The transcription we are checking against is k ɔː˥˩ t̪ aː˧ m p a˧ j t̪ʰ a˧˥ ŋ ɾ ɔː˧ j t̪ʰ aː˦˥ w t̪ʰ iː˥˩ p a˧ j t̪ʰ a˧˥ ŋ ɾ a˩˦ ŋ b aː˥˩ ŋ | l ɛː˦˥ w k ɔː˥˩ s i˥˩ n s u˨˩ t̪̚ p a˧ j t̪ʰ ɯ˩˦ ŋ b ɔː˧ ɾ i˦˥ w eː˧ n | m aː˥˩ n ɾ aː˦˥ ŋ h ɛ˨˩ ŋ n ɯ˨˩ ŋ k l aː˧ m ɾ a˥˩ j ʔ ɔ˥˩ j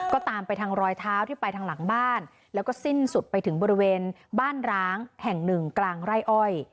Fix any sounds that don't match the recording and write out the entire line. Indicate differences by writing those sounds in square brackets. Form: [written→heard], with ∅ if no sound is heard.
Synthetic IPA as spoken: k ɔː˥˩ t̪ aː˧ m p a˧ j t̪ʰ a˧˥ ŋ ɾ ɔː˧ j t̪ʰ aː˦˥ w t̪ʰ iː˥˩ p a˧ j t̪ʰ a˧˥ ŋ [ɾ→l] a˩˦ ŋ b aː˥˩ [ŋ→n] | l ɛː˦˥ w k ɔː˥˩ s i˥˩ n s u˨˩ t̪̚ p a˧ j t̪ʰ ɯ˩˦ ŋ b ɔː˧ ɾ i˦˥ w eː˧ n | [m→b] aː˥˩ n ɾ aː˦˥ ŋ h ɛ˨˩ ŋ n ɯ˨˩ ŋ k l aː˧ [m→ŋ] ɾ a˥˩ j ʔ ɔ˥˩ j